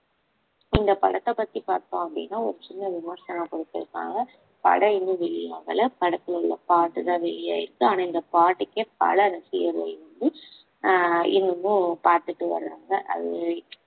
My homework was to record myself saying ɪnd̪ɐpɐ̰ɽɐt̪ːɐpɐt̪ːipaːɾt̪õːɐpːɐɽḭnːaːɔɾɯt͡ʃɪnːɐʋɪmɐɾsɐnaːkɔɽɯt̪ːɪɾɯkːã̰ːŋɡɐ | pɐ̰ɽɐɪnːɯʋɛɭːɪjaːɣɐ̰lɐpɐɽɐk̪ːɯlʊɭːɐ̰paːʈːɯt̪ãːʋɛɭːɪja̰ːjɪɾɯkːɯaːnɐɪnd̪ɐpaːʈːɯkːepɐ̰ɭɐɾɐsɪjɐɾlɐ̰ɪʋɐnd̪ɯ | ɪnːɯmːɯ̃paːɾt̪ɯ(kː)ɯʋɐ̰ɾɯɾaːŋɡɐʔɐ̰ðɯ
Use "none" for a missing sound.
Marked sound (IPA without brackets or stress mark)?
ʈː